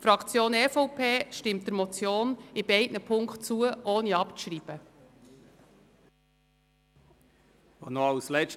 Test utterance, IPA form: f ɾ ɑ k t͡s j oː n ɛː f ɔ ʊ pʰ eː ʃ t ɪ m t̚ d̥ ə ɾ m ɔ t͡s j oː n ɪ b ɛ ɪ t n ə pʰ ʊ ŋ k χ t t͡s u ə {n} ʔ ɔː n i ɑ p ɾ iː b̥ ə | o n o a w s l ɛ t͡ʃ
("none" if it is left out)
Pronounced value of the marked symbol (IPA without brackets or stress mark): none